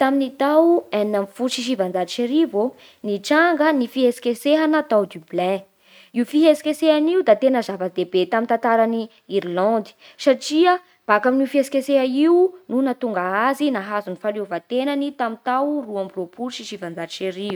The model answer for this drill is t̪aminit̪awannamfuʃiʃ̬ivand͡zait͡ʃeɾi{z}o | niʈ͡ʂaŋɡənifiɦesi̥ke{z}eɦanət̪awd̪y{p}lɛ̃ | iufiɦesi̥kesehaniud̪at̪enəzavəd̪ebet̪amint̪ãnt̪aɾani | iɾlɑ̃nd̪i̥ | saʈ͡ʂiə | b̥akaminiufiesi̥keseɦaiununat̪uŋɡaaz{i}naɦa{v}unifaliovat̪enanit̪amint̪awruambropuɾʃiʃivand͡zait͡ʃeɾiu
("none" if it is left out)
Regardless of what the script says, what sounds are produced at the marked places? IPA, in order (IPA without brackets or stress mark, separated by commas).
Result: v, s, b, i, z